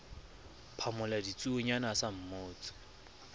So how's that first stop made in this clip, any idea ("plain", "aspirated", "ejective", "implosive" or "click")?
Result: aspirated